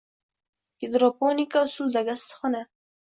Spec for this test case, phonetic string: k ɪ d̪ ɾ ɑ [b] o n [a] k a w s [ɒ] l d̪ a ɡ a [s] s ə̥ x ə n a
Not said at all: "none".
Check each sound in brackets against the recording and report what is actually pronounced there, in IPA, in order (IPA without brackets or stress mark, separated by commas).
p, i, u, s